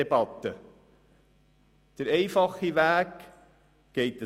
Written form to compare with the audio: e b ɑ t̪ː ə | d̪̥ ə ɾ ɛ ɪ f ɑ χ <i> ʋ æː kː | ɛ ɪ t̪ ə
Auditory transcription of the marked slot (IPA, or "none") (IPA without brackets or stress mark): i